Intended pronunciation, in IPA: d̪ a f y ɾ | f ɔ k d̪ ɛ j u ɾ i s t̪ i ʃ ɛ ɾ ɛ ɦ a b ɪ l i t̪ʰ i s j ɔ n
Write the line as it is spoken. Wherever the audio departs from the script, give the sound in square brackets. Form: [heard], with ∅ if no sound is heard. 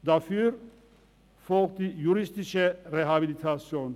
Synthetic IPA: d̪ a f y ɾ | f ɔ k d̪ [i] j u ɾ i s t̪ i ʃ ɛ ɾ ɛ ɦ a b [i] l i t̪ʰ [a] s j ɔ n